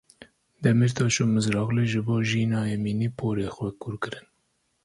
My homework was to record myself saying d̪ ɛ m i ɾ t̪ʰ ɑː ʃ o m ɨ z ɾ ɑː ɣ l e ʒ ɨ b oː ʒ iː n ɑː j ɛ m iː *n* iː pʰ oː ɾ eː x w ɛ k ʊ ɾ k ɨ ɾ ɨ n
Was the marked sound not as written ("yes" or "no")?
no